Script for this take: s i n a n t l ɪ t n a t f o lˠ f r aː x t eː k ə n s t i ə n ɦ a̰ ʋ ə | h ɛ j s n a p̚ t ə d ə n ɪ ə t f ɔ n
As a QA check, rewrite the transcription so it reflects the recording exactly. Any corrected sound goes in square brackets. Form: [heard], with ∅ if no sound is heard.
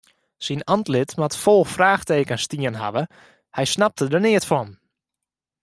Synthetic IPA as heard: s i n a n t l ɪ t [m] a t f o lˠ f r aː x t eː k ə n s t i ə n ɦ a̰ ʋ ə | h ɛ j s n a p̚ t ə d ə n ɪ ə t f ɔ n